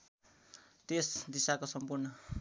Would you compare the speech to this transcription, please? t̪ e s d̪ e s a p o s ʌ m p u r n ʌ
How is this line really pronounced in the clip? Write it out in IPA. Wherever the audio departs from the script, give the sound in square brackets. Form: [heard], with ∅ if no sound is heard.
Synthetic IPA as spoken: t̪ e s d̪ [i] s a [k] o s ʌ m p u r n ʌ